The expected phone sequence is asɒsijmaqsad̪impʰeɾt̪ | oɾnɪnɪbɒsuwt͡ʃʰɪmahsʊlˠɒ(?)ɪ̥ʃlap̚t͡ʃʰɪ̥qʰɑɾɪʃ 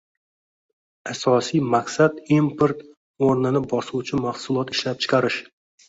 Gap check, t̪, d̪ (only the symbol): t̪